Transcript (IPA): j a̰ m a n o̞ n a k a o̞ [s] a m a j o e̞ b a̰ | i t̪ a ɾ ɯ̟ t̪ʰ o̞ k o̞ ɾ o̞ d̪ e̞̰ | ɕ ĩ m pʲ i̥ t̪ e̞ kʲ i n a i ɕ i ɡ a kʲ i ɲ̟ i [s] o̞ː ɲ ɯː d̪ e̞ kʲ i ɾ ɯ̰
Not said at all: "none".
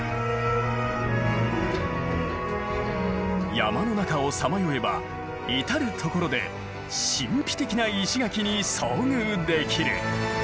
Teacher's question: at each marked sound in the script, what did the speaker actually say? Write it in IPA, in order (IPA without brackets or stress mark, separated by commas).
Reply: s, s